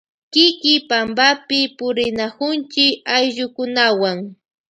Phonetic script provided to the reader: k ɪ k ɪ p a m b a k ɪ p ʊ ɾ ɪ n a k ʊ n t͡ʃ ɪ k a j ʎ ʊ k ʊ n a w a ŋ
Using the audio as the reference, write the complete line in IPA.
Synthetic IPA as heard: k ɪ k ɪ p a m b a p ɪ p ʊ ɾ ɪ n a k ʊ n t͡ʃ ɪ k a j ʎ ʊ k ʊ n a w a ŋ